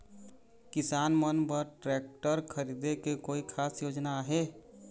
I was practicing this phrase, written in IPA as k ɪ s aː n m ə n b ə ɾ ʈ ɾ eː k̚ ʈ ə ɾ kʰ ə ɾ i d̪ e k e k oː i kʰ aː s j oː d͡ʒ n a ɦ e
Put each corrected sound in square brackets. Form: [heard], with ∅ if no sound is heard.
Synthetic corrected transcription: k ɪ s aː n m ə n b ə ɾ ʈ ɾ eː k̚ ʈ ə ɾ kʰ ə ɾ i d̪ e k e k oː i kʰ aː s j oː d͡ʒ n a ɦ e